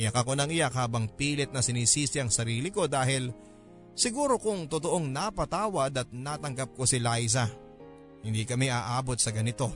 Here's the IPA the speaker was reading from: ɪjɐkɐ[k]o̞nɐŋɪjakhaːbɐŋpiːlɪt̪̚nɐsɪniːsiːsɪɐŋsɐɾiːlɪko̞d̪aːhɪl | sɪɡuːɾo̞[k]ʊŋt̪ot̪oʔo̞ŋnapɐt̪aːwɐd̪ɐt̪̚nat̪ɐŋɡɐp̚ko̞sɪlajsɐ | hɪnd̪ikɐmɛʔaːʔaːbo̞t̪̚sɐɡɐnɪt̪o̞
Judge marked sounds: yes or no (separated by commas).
yes, yes